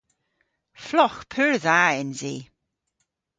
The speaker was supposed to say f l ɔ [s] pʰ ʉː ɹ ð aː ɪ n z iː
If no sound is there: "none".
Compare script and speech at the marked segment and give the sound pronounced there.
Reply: x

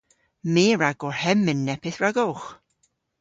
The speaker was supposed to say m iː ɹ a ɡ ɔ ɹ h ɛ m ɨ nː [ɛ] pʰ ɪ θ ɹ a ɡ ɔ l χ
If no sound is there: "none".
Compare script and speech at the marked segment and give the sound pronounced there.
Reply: ɛ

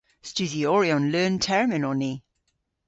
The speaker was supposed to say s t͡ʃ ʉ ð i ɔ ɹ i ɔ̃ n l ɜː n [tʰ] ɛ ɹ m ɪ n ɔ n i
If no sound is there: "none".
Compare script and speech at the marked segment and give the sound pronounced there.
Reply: tʰ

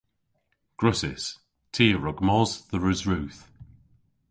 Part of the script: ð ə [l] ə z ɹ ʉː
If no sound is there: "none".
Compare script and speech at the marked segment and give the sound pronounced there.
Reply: ɹ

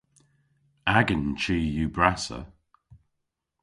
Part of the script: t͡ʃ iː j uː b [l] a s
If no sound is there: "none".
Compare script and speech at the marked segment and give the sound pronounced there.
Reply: ɹ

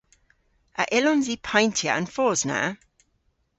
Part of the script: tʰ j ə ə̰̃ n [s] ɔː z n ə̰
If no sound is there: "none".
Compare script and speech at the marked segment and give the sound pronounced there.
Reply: f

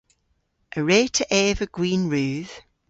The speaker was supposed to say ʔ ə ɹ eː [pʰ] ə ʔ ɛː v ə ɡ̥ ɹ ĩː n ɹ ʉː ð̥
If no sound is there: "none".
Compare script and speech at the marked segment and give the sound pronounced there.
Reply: tʰ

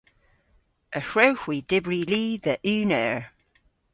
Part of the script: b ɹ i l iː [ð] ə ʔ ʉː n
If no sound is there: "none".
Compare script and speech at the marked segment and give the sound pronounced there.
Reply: ð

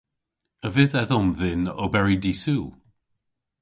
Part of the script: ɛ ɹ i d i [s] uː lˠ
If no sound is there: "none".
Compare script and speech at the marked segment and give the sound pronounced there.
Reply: s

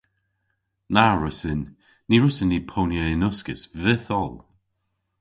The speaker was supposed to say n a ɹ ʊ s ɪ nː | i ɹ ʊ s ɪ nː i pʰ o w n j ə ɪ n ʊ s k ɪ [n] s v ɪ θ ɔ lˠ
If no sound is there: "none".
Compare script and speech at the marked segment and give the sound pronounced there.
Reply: none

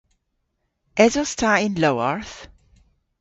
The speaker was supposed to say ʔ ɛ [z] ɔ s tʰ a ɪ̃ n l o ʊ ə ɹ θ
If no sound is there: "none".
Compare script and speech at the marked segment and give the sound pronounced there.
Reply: z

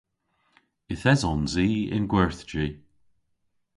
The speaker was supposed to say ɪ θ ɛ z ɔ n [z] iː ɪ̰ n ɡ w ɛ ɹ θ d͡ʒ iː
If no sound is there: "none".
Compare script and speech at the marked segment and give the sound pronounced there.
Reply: z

